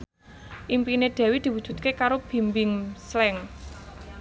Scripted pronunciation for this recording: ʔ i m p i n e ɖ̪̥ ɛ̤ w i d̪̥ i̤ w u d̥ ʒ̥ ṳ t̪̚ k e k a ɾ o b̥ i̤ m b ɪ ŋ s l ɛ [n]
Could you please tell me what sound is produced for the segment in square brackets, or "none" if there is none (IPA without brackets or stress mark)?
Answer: ŋ